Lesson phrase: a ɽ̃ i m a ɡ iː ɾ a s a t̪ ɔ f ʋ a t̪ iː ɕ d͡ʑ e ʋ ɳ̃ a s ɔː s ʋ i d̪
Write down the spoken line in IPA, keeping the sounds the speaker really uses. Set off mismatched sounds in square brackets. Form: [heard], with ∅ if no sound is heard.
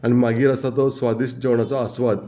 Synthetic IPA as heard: a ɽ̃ i m a ɡ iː ɾ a s a t̪ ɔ [s] ʋ a [d̪] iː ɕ d͡ʑ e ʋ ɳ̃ a [t͡s] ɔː s ʋ [a] d̪